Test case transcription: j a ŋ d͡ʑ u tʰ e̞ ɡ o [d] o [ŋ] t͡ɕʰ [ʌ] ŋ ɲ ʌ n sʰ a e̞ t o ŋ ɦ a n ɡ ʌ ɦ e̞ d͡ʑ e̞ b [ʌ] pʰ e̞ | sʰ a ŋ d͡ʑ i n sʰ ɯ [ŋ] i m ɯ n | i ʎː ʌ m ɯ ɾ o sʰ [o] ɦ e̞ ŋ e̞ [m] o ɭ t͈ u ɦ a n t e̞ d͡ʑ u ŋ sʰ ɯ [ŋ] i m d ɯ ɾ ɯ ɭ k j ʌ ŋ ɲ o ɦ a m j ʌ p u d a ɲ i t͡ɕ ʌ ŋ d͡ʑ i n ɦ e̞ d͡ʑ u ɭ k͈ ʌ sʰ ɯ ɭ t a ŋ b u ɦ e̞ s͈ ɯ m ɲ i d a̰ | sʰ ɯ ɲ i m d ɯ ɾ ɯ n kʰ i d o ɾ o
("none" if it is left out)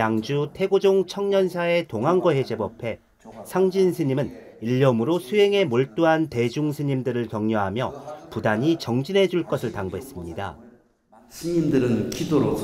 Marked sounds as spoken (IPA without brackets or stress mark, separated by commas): d͡ʑ, ŋ, ʌ, ʌ, ɲ, u, m, ɲ